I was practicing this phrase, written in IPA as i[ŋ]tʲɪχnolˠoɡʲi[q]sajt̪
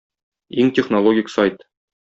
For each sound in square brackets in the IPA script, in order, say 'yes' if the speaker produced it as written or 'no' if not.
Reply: yes, no

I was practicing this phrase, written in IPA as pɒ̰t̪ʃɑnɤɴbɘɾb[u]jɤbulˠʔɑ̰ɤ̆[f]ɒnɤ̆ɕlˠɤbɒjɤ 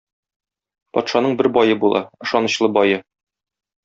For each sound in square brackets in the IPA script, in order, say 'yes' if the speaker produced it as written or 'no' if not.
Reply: no, no

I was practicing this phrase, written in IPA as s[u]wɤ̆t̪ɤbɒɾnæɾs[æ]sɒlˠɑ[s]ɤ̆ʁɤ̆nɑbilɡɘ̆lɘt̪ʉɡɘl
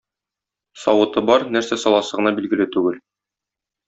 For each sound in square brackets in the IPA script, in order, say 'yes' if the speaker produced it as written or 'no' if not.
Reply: no, yes, yes

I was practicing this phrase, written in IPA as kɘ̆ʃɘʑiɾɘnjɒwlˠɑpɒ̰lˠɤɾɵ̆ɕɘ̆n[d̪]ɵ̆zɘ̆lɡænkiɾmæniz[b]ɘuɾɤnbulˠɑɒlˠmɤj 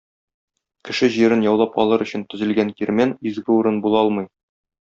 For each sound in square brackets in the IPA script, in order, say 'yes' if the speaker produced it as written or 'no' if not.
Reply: no, no

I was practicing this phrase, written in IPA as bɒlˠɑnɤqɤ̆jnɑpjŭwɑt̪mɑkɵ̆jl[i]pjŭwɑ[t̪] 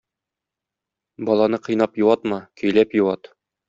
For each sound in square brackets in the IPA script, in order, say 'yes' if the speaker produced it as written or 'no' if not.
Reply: no, yes

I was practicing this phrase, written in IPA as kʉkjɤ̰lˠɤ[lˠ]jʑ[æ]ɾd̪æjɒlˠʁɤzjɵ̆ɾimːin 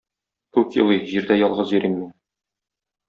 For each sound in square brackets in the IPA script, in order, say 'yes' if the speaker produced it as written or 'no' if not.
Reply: no, no

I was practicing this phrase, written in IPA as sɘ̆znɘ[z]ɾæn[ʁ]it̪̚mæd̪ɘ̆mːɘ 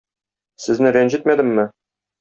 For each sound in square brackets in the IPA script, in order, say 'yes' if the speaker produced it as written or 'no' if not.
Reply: no, no

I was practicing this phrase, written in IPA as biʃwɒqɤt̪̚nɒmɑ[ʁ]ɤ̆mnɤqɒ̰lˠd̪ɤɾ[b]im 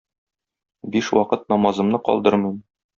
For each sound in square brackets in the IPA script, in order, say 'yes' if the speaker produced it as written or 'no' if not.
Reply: no, no

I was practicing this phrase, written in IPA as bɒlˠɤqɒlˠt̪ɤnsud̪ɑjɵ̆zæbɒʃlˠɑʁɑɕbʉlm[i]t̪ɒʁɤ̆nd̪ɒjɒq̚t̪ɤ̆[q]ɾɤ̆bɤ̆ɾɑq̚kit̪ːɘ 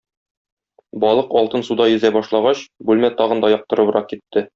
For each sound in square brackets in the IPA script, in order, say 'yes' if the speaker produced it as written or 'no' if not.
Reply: no, no

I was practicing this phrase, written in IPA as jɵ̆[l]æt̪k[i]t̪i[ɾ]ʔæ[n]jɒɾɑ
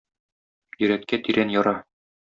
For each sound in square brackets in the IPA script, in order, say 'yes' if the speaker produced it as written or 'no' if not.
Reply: no, no, yes, yes

